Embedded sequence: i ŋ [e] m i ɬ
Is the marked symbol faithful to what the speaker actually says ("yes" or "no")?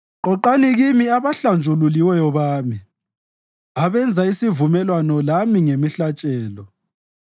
yes